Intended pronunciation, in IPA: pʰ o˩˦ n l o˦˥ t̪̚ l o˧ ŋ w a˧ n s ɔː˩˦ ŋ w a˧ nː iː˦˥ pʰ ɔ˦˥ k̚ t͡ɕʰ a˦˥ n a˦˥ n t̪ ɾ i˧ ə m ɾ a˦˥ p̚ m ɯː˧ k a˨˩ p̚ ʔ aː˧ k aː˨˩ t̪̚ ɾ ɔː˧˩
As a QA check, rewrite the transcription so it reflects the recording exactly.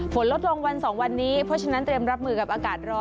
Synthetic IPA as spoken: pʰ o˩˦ n l o˦˥ t̪̚ l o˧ ŋ w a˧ n s ɔː˩˦ ŋ w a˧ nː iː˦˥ pʰ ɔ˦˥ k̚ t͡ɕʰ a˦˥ n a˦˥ n t̪ ɾ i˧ ə m ɾ a˦˥ p̚ m ɯː˧ k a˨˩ p̚ ʔ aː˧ k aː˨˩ t̪̚ ɾ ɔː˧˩

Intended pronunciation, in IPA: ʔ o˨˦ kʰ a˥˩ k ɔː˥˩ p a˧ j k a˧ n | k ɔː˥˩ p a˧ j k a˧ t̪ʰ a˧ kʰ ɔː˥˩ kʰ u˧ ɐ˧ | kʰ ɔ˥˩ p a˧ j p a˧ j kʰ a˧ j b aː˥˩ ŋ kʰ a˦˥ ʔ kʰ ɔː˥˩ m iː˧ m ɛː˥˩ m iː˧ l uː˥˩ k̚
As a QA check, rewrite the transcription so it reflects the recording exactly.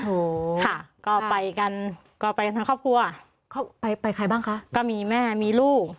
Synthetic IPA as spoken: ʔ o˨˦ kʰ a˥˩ k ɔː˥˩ p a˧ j k a˧ n | k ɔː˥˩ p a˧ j k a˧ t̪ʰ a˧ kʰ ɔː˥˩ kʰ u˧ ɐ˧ | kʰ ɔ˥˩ p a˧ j p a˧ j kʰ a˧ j b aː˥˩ ŋ kʰ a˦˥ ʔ k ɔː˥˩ m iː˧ m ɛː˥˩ m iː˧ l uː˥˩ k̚

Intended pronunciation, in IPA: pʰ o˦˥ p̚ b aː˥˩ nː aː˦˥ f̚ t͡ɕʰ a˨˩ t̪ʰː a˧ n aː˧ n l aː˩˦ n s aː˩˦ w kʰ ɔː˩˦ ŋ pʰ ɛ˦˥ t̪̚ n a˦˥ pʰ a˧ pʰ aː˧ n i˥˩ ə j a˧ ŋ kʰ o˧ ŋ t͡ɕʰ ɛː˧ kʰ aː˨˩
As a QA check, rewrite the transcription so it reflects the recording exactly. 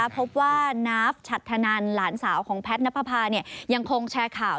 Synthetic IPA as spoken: pʰ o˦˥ p̚ w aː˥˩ n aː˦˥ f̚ t͡ɕʰ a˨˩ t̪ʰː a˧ n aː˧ n l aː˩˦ n s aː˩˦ w kʰ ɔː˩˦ ŋ pʰ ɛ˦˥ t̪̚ n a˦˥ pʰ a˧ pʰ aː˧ n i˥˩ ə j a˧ ŋ kʰ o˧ ŋ t͡ɕʰ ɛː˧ kʰ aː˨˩

